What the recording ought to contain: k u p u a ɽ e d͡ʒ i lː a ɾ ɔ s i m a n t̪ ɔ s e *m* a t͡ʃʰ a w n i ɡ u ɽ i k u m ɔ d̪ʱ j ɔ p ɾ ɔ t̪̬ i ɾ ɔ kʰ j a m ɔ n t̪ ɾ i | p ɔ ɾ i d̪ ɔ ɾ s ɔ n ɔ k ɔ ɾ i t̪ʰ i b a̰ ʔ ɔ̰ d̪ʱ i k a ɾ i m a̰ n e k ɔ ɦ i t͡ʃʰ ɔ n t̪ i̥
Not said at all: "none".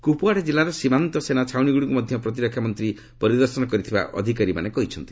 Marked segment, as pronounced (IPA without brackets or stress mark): n